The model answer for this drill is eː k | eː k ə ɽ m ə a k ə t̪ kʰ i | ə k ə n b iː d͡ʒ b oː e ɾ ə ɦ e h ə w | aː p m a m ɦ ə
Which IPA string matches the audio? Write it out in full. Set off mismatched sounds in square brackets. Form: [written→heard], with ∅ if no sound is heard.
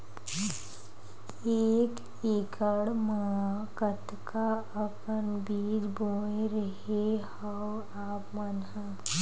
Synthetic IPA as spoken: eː k | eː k ə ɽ m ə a k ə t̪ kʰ [i→a] | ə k ə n b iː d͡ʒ b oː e ɾ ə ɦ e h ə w | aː p m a [m→n] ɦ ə